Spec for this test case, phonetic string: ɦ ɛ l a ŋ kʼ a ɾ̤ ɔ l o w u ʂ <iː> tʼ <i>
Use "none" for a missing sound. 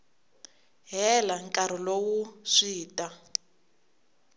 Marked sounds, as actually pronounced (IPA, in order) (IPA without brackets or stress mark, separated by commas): iː, a